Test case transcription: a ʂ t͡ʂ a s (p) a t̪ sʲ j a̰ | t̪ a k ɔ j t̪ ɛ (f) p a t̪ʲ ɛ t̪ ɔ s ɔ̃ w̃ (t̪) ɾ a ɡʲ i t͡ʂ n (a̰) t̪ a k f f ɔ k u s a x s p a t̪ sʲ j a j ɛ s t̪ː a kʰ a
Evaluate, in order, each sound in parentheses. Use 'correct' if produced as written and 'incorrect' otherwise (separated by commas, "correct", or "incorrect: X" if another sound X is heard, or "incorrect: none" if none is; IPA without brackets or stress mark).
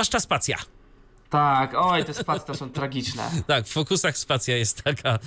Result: correct, incorrect: s, correct, incorrect: ɛ̰